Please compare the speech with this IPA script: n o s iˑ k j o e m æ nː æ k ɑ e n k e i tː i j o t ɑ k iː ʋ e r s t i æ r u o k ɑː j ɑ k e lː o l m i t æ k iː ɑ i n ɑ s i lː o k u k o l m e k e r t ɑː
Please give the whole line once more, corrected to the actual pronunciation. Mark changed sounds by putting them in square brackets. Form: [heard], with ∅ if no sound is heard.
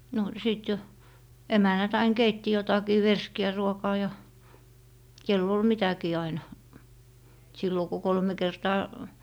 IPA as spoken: n o s iˑ [t] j o e m æ nː æ [t] ɑ [i] n k e i tː i j o t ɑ k iː ʋ e r s [k] i æ r u o k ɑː j ɑ k e lː o l m i t æ k iː ɑ i n ɑ s i lː o k u k o l m e k e r t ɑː